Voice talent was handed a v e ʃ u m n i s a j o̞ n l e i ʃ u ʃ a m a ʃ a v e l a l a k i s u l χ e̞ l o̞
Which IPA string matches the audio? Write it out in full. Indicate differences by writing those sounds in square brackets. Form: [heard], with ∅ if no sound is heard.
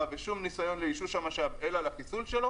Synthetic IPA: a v e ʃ u m n i s a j o̞ n l e i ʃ u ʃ a m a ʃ a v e l a l a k i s u l [ʃ] e̞ l o̞